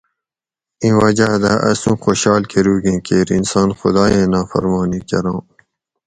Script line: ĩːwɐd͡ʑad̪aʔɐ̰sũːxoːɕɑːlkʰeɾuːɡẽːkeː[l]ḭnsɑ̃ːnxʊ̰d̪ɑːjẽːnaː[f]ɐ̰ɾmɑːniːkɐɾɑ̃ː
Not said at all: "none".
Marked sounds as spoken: ɾ, f

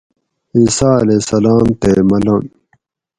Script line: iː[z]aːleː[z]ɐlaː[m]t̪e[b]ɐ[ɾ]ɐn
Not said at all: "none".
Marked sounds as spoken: s, s, m, m, l

